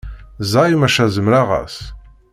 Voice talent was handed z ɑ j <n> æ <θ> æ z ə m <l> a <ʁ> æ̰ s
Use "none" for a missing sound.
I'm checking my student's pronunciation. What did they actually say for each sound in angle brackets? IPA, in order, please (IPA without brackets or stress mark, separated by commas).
m, ʃ, ɾ, ʁ